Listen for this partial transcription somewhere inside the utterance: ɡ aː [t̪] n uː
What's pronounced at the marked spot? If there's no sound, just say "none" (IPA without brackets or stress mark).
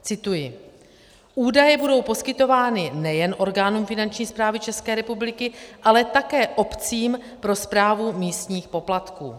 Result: none